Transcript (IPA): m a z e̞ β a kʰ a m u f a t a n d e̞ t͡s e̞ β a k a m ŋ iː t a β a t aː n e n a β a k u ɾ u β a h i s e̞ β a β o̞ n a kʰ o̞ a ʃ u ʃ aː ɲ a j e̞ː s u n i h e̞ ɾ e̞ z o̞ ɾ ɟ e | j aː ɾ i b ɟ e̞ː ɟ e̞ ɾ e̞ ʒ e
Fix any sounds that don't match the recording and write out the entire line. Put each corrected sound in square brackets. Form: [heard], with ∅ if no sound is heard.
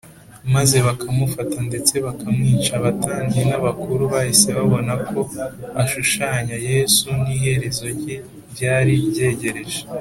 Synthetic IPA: m a z e̞ β a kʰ a m u f a t a n d e̞ t͡s e̞ β a k a m ŋ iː [t͡ʃ] a β a t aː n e n a β a k u ɾ u β a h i s e̞ β a β o̞ n a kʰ o̞ a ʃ u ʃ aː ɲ a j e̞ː s u n i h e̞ ɾ e̞ z o̞ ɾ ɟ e | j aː ɾ i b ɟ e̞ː ɟ e̞ ɾ e̞ ʒ e